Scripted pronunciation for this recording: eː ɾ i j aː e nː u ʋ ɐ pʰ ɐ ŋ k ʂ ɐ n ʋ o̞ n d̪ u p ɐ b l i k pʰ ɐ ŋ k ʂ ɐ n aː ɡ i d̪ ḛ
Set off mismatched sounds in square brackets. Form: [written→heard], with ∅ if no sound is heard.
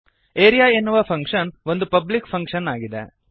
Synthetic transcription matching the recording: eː ɾ i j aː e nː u ʋ ɐ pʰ ɐ ŋ k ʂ ɐ n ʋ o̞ n d̪ u p ɐ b l i k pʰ ɐ ŋ k ʂ ɐ n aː ɡ i d̪ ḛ